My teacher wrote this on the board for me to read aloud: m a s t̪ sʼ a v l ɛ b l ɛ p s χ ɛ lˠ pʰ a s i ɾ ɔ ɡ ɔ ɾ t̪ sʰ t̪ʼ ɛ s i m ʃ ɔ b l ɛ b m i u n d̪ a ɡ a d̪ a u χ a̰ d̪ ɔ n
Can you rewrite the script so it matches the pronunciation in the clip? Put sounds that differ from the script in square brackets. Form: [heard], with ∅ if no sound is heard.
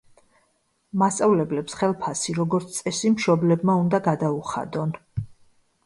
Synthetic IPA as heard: m a s t̪ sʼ a v l ɛ b l ɛ p s χ ɛ lˠ pʰ a s i ɾ ɔ ɡ ɔ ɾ t̪ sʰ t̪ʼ ɛ s i m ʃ ɔ b l ɛ b m [a] u n d̪ a ɡ a d̪ a u χ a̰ d̪ ɔ n